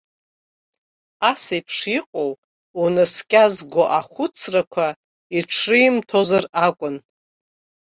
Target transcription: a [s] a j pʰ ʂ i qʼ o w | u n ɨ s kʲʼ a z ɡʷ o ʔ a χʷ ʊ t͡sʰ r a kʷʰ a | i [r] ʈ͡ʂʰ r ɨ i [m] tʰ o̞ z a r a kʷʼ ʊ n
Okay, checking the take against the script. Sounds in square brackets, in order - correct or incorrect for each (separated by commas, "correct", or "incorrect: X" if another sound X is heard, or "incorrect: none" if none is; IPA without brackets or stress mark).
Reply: correct, incorrect: none, correct